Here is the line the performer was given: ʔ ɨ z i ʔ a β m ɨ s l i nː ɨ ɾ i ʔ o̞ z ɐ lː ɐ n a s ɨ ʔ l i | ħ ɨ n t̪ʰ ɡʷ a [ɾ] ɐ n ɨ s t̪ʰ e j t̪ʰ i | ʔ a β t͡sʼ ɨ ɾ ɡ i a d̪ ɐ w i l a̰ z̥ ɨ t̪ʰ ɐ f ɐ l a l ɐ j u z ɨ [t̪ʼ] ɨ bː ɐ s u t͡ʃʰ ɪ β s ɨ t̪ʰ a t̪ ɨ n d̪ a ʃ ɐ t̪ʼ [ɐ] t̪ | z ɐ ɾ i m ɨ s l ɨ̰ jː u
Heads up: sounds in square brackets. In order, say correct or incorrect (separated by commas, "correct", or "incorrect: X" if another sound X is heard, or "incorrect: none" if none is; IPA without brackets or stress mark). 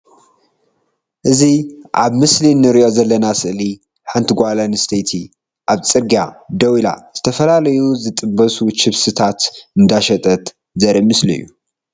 incorrect: l, correct, correct